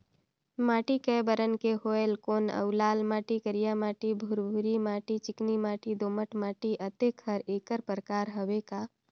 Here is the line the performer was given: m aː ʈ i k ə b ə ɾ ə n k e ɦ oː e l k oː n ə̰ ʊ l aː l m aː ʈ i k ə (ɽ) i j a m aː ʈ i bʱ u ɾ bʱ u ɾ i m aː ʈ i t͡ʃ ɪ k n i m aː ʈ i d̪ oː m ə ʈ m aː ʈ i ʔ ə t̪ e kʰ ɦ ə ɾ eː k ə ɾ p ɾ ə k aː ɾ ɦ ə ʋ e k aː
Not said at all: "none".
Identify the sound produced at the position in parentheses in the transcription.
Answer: ɾ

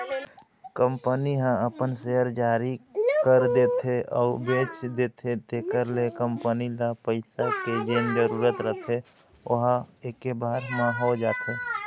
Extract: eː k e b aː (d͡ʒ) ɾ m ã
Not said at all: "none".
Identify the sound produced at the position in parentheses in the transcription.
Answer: none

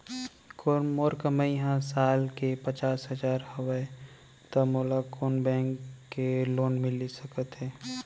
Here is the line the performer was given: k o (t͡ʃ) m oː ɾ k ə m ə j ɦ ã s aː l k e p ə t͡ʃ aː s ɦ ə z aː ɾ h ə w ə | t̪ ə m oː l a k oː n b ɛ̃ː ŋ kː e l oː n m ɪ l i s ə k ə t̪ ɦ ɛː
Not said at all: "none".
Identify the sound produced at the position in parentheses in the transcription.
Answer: none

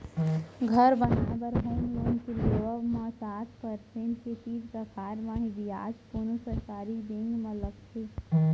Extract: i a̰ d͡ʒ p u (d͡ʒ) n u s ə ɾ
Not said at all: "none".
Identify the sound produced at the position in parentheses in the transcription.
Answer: none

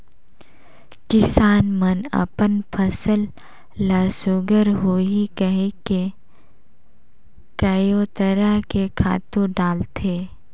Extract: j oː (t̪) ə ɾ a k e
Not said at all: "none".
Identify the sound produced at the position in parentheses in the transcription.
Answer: t̪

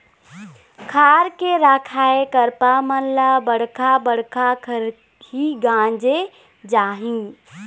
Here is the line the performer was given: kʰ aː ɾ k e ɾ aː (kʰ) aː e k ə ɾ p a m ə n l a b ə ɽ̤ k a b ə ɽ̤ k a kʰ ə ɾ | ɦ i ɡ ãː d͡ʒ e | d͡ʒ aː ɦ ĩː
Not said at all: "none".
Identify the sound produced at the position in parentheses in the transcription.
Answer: kʰ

